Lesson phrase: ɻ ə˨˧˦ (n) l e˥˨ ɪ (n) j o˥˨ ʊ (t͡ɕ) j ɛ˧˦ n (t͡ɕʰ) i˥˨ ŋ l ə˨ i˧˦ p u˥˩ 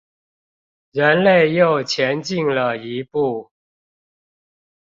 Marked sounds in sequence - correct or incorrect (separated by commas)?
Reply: correct, incorrect, incorrect, incorrect